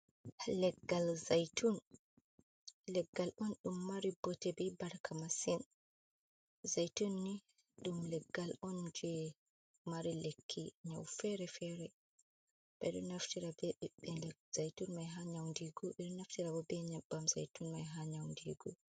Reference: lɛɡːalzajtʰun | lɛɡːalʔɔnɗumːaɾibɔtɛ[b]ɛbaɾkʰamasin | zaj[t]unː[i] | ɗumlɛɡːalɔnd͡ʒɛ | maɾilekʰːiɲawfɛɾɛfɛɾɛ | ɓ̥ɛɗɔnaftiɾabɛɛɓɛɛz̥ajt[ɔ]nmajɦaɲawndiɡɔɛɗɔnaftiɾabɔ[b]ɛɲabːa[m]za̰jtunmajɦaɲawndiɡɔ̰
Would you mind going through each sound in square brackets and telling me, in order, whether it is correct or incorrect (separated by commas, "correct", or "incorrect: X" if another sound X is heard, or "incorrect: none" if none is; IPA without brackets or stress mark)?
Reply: correct, correct, correct, incorrect: u, correct, correct